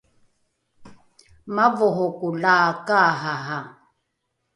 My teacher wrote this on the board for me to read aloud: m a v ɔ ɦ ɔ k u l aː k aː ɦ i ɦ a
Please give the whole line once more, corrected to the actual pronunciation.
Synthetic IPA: m a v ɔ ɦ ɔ k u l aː k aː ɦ a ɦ a